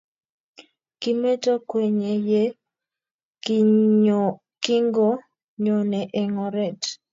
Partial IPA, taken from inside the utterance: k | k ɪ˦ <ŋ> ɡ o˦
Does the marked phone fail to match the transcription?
no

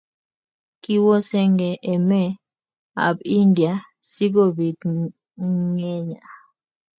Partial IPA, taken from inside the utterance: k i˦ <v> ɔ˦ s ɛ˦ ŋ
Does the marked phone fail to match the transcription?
yes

